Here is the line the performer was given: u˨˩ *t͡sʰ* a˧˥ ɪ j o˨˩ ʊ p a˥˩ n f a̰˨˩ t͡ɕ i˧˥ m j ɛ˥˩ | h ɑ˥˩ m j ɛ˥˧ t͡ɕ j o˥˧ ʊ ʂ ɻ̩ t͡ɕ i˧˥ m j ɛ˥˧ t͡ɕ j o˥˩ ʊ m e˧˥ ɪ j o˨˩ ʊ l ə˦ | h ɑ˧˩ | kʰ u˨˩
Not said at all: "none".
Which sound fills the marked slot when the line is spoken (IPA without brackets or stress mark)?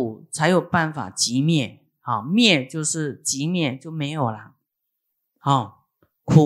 t͡sʰ